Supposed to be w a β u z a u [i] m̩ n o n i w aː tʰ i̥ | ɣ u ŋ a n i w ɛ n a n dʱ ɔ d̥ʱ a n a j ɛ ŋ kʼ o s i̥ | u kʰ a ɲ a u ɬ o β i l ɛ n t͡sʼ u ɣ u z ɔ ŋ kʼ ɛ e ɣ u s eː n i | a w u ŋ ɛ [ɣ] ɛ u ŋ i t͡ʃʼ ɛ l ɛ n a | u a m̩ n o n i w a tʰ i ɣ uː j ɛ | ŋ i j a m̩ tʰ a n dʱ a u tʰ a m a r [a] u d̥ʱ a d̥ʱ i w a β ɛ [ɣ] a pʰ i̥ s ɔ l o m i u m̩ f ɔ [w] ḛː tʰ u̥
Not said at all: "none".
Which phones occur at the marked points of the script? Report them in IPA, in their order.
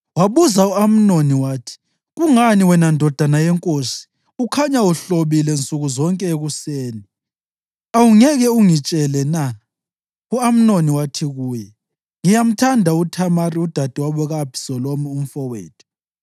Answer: a, ɣ, i, ɣ, w

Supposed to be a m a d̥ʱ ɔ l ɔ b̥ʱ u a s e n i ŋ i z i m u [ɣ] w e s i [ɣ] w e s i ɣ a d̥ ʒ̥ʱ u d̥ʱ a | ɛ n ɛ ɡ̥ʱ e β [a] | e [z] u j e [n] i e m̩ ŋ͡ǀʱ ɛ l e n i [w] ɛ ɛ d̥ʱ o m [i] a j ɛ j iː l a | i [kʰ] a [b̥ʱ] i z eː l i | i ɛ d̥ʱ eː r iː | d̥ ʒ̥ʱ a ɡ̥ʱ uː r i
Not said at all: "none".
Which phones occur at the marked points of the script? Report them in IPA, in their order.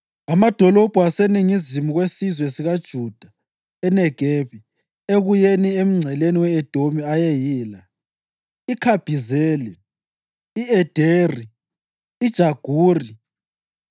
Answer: ɣ, z, i, ɣ, n, w, i, kʰ, b̥ʱ

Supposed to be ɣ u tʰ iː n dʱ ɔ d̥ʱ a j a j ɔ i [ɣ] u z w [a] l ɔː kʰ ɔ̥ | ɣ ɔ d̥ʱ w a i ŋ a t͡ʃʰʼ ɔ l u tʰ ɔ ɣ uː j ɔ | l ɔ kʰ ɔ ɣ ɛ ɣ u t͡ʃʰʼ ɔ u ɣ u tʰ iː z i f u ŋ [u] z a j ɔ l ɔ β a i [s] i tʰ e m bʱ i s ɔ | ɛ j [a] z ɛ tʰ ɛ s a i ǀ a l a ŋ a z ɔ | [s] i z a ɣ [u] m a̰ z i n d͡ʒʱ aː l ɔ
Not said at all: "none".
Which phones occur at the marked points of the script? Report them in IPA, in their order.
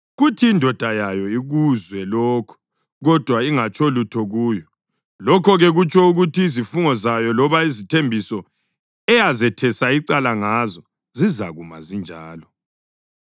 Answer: ɣ, ɛ, ɔ, z, a, z, u

